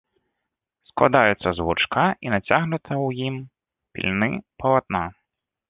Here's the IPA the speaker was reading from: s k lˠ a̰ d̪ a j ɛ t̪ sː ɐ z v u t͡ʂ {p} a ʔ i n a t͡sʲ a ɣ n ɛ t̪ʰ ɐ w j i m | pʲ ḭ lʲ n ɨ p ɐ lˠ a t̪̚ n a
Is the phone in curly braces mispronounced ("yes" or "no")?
yes